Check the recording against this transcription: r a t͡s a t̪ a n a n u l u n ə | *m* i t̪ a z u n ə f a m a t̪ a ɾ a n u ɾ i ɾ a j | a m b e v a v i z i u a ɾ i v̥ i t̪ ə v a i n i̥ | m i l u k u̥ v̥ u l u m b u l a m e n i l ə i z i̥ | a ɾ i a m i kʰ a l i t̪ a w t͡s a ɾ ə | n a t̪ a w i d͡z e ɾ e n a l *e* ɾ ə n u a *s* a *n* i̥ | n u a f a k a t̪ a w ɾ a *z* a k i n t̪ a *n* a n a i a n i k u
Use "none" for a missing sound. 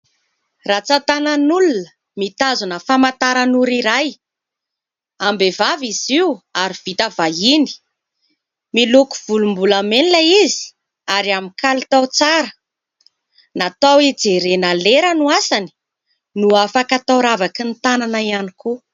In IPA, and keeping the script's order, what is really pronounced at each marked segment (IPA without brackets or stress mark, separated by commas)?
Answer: m, e, s, n, v, n